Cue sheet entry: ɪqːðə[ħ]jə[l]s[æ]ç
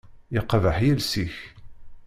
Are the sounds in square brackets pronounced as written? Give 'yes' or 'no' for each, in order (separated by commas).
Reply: yes, yes, no